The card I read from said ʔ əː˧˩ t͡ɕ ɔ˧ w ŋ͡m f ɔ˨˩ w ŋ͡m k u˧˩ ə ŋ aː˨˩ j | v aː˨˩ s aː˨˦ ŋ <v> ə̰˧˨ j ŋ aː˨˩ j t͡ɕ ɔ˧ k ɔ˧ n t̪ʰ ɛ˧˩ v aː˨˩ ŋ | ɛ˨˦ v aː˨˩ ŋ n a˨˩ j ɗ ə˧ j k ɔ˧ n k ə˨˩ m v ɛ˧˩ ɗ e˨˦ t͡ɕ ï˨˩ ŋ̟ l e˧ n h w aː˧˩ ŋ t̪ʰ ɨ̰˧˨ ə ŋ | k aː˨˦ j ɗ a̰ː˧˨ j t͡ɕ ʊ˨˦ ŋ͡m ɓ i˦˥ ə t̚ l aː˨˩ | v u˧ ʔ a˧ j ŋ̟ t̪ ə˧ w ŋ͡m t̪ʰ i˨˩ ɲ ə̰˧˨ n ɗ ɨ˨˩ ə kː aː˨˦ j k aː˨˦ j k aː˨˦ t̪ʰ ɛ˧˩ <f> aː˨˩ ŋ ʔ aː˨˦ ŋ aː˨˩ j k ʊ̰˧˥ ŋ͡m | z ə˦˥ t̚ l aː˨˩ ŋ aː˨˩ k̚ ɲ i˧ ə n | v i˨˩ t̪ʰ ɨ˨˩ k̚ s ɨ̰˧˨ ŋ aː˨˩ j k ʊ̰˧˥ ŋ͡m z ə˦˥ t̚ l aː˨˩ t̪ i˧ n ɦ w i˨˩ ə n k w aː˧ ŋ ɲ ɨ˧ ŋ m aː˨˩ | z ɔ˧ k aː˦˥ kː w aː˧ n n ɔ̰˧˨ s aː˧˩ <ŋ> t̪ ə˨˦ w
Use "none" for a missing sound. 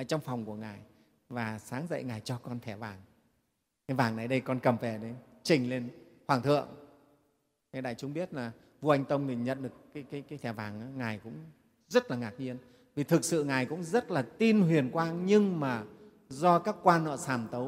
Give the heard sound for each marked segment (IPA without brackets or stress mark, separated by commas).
z, v, m